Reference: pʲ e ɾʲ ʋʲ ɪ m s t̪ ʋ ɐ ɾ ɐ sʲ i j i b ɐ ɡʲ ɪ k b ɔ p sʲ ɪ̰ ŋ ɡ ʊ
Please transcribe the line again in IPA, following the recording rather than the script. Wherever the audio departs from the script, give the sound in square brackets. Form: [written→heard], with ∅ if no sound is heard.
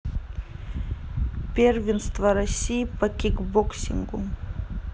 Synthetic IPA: pʲ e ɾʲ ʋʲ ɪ [m→n] s t̪ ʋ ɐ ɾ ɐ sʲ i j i [b→p] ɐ [ɡʲ→kʲ] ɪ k b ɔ [p→k] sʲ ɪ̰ ŋ ɡ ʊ